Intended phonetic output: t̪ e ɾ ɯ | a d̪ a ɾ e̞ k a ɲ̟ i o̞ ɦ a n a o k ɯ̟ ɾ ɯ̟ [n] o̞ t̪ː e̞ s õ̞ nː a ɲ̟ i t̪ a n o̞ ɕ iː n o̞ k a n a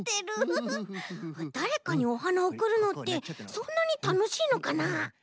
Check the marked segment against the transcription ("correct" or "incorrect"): correct